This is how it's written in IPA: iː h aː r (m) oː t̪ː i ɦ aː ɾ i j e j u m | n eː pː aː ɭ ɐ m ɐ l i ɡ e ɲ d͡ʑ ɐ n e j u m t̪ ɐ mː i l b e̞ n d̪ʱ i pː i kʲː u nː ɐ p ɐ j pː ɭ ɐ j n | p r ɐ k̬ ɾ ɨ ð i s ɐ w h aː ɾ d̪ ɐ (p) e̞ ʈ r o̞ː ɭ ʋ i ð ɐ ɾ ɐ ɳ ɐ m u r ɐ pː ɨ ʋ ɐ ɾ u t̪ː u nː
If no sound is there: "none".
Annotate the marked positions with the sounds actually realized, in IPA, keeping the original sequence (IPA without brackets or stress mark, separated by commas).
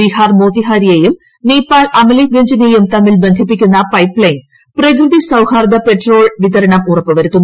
m, p